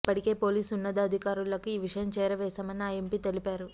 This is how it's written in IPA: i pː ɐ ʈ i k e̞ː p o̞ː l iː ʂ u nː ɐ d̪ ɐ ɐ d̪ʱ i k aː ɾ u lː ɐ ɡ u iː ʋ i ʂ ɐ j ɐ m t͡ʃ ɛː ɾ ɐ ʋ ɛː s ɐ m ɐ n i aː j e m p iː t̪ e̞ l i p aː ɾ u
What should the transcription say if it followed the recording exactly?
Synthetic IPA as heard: i pː ɐ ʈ i k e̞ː p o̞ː l iː s u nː ɐ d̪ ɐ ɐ d̪ʱ i k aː ɾ u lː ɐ k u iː ʋ i ʂ ɐ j ɐ m t͡ʃ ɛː ɾ ɐ ʋ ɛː s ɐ m ɐ n i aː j e m p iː t̪ e̞ l i p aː ɾ u